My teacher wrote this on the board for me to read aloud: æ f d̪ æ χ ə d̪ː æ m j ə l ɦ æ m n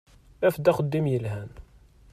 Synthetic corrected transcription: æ f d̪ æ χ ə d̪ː i m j ə l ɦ æ n